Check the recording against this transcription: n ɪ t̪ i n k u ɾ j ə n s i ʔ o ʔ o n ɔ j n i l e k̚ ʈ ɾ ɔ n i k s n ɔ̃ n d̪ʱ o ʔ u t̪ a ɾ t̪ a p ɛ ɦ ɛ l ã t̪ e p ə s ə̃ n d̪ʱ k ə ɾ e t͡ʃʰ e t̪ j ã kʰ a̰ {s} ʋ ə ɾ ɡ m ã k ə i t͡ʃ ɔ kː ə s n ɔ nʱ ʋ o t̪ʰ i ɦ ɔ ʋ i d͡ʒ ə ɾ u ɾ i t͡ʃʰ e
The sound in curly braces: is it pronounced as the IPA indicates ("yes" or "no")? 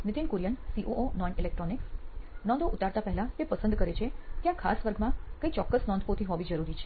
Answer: yes